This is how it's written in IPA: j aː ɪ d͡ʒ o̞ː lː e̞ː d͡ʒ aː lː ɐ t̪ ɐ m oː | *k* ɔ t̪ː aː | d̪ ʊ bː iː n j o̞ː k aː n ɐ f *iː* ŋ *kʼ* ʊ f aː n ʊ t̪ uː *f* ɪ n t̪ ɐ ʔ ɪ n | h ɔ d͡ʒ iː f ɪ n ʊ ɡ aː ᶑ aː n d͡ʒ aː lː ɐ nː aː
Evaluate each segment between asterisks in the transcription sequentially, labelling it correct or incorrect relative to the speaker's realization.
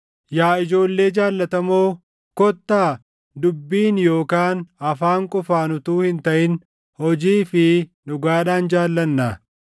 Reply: correct, incorrect: aː, correct, incorrect: h

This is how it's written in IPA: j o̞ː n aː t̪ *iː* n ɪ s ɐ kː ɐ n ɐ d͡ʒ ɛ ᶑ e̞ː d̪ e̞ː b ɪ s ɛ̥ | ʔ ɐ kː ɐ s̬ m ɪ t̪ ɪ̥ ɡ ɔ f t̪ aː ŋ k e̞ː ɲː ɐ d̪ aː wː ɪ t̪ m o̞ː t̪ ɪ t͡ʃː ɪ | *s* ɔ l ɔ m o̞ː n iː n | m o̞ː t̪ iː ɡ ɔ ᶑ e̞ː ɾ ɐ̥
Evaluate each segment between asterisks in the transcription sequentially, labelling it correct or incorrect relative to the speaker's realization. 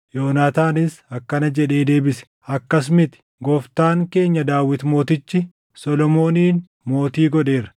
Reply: incorrect: aː, correct

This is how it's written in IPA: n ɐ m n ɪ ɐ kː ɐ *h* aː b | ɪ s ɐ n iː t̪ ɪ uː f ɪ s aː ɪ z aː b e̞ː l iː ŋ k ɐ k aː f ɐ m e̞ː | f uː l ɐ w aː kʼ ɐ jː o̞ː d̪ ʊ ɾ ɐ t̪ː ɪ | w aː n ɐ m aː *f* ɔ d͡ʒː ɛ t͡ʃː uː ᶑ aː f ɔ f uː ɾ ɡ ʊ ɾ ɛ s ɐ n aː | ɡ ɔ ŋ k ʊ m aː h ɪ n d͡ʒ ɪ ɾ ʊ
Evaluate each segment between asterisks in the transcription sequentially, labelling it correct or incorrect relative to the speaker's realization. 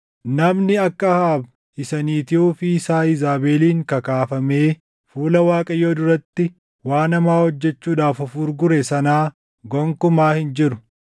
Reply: correct, incorrect: h

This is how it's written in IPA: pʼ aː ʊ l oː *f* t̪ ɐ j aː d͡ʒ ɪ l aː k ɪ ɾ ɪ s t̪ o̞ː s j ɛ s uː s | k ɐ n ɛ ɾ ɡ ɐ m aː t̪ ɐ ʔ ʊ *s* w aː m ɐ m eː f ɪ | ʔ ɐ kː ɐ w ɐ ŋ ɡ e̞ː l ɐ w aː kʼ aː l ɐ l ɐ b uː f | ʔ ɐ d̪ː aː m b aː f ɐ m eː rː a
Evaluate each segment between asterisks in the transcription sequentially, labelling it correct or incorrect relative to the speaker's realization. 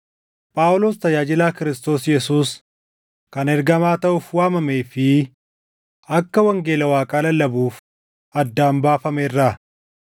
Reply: incorrect: s, incorrect: f

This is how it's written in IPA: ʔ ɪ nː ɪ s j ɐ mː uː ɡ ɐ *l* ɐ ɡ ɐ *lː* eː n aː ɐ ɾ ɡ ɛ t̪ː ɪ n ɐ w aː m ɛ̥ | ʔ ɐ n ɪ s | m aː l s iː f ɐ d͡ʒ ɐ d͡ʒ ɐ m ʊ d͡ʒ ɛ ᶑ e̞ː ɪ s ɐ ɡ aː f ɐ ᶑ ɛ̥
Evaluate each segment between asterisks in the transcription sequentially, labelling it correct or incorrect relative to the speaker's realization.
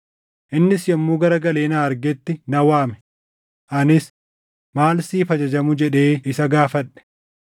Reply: incorrect: ɾ, incorrect: l

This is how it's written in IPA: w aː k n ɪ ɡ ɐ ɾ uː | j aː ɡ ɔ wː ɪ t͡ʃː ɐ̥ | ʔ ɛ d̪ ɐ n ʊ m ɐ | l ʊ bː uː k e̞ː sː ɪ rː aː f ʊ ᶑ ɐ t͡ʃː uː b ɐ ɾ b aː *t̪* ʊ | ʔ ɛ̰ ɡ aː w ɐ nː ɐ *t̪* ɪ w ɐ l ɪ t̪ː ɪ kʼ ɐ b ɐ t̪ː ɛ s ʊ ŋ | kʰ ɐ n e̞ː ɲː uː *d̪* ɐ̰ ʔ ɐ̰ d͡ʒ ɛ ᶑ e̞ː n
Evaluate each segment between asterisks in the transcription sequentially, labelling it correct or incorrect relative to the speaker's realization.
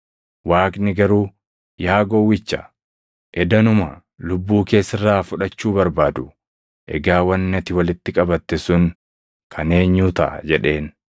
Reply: incorrect: d̪, correct, incorrect: t̪

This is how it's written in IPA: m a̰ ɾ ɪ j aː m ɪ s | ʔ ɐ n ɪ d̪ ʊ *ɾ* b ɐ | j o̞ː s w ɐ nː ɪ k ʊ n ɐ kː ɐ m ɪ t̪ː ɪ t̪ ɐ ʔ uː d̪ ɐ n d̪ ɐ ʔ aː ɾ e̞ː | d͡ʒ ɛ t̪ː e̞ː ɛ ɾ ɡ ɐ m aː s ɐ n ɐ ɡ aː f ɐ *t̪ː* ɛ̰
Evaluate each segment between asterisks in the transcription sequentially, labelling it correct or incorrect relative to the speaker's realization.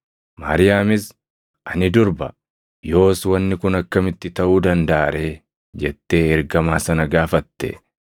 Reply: correct, correct

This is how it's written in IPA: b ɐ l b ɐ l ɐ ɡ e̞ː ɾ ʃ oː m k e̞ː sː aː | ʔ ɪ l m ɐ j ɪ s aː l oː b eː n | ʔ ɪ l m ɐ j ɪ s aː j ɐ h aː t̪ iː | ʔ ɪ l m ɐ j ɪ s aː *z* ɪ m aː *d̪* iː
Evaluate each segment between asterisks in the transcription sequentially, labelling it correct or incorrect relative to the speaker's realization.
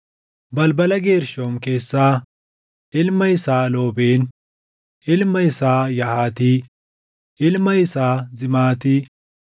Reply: correct, incorrect: t̪

